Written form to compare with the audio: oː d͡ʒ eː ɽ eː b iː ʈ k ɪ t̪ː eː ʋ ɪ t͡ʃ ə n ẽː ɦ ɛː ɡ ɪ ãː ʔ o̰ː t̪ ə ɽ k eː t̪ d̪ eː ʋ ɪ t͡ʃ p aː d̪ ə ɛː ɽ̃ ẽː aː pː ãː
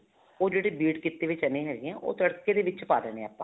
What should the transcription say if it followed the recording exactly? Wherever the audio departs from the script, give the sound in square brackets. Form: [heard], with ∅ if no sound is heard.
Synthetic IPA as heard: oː d͡ʒ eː ɽ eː b iː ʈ k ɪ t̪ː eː ʋ ɪ t͡ʃ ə n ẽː ɦ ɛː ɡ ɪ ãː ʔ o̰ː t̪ ə ɽ k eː [∅] d̪ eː ʋ ɪ t͡ʃ p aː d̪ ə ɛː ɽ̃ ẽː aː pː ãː